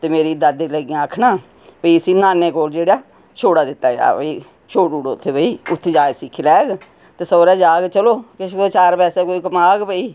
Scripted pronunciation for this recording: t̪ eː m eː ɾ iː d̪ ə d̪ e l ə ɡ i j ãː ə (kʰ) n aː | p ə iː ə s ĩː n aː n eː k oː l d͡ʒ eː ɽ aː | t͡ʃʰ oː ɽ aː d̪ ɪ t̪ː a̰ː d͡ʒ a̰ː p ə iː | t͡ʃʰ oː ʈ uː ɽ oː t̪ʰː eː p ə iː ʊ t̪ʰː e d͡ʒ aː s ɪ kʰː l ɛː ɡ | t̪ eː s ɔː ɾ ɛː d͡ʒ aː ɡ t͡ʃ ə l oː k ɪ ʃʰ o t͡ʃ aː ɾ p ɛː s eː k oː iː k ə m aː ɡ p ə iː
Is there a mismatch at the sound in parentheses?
no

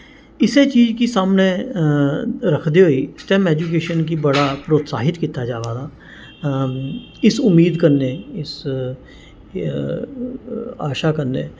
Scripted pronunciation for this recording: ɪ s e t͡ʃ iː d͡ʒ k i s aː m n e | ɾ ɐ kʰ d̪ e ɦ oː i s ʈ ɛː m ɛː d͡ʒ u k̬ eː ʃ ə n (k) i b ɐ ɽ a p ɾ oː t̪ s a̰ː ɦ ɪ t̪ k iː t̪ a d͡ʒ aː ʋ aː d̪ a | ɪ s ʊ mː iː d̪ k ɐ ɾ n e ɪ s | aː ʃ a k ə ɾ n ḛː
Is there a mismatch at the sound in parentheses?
no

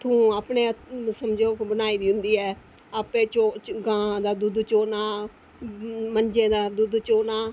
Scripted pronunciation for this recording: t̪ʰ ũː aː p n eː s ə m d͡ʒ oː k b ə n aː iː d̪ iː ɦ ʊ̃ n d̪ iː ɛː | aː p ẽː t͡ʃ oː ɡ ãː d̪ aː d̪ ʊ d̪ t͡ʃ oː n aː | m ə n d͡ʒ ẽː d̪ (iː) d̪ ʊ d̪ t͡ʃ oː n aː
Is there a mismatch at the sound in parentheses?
yes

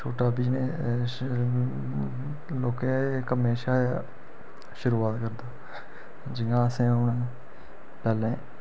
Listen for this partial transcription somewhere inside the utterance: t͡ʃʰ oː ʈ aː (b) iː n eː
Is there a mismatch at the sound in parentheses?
no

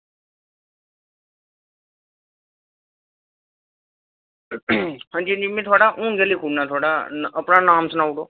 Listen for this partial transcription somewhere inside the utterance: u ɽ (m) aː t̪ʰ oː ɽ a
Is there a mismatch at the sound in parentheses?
yes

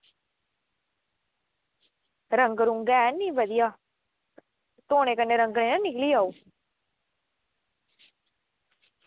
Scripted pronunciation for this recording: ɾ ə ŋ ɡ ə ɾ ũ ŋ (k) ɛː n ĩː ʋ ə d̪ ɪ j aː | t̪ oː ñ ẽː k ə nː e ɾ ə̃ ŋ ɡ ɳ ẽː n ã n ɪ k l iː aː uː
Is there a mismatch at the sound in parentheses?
yes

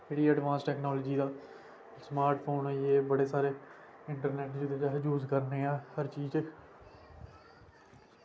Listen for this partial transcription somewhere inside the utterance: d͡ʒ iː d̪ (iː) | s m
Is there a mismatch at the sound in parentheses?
yes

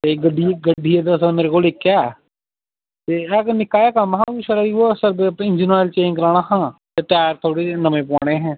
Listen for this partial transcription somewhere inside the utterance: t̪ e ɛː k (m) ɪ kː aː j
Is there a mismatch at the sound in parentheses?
yes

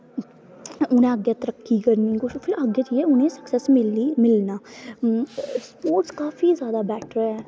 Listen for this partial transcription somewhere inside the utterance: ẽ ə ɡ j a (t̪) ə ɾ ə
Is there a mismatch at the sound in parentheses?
no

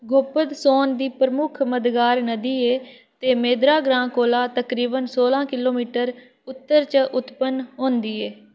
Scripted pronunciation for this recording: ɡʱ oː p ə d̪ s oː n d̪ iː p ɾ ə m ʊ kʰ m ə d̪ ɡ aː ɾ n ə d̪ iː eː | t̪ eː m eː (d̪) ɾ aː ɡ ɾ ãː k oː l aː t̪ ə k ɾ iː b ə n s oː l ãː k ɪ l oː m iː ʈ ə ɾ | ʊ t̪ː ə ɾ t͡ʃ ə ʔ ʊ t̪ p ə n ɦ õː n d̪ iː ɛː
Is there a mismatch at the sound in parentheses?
no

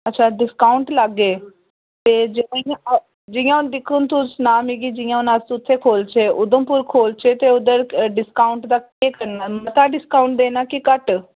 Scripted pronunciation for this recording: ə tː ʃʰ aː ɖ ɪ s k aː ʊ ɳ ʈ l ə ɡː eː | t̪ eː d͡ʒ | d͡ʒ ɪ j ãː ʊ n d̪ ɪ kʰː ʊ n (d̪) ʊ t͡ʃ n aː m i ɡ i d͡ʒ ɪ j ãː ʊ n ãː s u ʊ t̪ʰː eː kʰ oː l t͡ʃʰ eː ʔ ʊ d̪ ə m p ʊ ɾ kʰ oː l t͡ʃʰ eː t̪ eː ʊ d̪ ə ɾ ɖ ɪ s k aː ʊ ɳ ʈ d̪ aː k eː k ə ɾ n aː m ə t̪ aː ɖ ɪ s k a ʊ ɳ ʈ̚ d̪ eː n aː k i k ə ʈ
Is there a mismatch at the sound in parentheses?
yes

